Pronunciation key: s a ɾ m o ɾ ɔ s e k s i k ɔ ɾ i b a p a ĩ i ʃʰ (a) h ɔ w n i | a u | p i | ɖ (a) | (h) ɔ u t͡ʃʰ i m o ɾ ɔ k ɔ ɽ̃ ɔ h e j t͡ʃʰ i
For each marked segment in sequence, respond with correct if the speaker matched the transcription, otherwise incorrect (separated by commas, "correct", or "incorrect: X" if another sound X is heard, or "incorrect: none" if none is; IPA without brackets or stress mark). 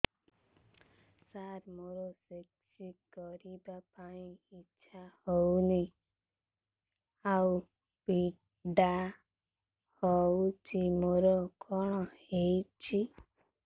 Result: correct, correct, correct